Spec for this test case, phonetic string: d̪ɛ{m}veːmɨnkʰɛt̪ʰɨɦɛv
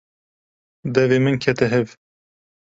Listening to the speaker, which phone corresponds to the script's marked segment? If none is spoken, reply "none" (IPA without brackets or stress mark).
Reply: none